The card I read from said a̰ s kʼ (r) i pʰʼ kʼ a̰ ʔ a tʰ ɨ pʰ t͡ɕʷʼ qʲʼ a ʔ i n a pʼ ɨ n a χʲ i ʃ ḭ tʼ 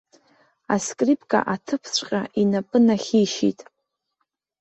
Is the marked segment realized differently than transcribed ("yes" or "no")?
no